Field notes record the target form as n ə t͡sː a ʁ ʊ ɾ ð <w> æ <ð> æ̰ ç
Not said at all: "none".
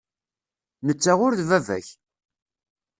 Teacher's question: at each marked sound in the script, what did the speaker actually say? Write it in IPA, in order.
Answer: v, v

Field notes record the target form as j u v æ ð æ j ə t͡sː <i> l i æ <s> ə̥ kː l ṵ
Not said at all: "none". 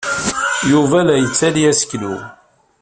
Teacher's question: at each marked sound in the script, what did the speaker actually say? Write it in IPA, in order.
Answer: æ, s

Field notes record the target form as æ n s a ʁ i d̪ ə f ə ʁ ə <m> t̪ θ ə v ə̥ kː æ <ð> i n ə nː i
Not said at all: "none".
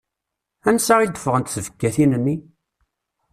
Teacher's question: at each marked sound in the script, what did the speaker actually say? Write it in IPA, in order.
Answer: n, θ

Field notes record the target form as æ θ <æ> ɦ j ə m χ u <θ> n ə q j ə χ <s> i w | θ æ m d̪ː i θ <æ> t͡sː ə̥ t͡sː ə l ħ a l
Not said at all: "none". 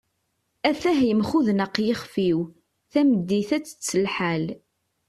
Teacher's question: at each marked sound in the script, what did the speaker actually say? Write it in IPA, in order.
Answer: æ, ð, f, æ

